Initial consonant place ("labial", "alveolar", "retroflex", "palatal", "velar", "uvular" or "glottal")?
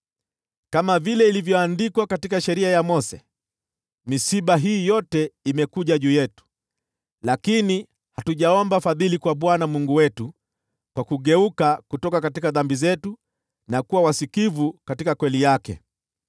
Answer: velar